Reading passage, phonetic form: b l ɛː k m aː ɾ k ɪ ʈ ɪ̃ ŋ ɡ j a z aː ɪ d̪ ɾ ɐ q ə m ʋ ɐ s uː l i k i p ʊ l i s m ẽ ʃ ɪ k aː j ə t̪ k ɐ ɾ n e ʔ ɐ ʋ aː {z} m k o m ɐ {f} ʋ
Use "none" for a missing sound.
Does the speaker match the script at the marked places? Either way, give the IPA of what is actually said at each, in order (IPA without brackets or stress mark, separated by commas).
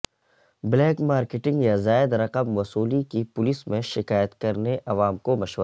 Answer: none, ʃ